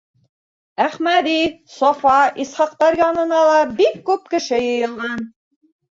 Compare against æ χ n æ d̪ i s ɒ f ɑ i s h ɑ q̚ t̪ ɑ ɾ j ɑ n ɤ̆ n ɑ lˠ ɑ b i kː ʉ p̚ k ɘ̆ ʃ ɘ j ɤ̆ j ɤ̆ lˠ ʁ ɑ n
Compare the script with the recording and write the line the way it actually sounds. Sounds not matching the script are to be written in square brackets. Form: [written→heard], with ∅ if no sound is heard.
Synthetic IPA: æ χ [n→m] æ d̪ i s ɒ f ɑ i s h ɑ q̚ t̪ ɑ ɾ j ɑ n ɤ̆ n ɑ lˠ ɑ b i kː ʉ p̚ k ɘ̆ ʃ ɘ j ɤ̆ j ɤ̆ lˠ ʁ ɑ n